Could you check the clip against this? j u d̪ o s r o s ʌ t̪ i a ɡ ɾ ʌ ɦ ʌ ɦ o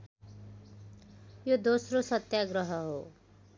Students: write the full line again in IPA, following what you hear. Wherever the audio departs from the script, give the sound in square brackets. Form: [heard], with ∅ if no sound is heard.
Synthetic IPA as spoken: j [o] d̪ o s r o s ʌ t̪ [j] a ɡ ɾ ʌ ɦ ʌ ɦ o